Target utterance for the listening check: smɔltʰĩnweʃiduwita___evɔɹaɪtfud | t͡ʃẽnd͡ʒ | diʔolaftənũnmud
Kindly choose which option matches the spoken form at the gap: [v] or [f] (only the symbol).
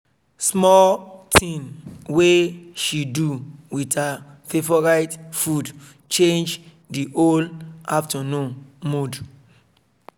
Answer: f